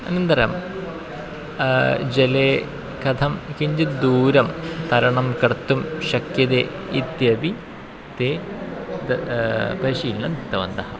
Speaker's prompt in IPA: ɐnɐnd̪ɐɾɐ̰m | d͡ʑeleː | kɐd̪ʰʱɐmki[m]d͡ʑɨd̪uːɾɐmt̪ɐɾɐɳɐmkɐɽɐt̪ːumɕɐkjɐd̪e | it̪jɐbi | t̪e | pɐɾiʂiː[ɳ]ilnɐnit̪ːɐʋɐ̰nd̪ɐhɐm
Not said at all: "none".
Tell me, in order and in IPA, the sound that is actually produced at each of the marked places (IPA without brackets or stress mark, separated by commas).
ɲ, none